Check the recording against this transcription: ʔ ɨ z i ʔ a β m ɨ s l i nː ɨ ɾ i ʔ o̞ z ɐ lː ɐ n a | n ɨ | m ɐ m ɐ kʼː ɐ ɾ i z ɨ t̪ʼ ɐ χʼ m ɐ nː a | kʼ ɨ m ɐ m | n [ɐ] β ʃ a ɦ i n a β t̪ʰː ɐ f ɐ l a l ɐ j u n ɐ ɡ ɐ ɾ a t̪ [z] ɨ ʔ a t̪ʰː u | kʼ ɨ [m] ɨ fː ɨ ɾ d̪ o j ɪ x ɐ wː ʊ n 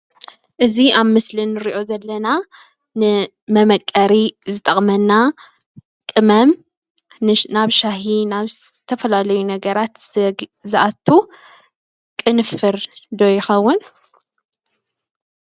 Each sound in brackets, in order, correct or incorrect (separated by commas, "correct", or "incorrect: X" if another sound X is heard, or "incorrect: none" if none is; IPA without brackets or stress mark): incorrect: a, correct, incorrect: n